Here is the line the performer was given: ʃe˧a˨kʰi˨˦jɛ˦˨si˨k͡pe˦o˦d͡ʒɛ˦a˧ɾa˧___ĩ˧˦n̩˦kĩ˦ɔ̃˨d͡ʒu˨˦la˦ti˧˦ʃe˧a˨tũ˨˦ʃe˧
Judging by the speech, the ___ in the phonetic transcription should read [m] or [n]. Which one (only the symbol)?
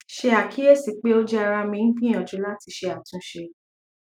m